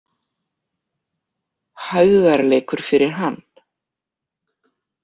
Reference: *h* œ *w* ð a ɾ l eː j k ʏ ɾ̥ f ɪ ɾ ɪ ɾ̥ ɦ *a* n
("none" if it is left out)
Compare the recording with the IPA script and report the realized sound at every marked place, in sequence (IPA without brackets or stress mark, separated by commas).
h, ɣ, a